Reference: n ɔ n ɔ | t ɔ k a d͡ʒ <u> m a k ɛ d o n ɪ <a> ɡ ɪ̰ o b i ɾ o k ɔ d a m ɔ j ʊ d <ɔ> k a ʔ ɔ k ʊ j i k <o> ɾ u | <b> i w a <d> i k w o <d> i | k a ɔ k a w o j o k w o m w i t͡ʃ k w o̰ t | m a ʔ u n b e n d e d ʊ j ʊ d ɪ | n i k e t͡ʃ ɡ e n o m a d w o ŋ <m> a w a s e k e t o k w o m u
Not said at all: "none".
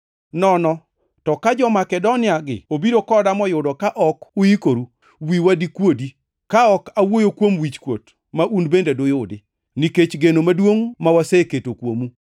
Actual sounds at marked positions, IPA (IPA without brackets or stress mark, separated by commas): ɔ, a, ɔ, o, w, d, d, m